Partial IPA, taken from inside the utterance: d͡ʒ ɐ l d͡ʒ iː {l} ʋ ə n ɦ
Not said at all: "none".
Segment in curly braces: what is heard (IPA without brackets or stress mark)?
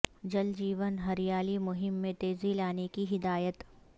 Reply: none